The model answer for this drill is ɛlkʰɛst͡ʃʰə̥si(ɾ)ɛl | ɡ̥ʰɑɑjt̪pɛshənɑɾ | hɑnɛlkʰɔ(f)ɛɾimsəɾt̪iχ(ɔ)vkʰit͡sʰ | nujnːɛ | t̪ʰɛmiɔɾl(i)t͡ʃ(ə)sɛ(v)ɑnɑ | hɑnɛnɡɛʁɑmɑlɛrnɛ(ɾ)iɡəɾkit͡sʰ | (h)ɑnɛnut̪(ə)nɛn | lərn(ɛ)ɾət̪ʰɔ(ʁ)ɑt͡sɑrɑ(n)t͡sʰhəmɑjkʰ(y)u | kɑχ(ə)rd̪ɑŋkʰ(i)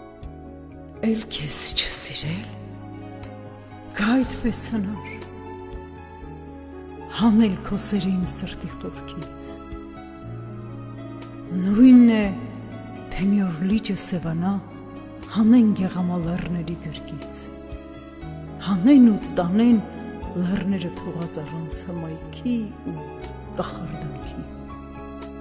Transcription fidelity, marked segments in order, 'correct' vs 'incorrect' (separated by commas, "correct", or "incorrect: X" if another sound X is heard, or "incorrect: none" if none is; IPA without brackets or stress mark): correct, incorrect: s, correct, correct, correct, correct, correct, correct, incorrect: ɑ, correct, correct, correct, incorrect: i, incorrect: ɑ, correct